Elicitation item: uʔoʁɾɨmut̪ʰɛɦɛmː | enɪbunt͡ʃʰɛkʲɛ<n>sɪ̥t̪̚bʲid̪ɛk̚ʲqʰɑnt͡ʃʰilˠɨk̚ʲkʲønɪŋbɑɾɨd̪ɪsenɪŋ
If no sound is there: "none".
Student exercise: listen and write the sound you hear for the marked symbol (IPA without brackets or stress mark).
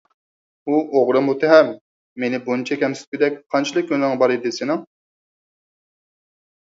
m